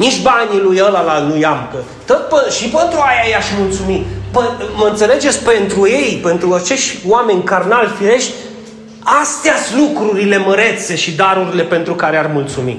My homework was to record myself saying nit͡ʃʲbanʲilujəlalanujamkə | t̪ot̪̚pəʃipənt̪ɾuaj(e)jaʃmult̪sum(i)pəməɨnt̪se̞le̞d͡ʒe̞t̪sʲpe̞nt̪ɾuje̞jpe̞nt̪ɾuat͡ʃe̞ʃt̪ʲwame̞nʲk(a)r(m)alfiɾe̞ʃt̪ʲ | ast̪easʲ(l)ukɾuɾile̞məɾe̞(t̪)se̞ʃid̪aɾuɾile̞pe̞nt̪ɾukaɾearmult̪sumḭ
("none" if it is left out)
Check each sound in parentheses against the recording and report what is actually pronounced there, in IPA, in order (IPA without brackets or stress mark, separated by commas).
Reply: a, i, a, n, l, t̪